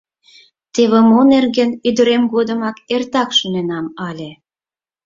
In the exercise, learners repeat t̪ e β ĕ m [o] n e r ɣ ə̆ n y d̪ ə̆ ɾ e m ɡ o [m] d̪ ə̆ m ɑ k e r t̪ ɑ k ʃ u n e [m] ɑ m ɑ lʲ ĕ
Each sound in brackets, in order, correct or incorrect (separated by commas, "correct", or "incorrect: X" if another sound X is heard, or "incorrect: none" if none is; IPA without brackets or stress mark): correct, incorrect: none, incorrect: n